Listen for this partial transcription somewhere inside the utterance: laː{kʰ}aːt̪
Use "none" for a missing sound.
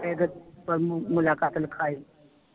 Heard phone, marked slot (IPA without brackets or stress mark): k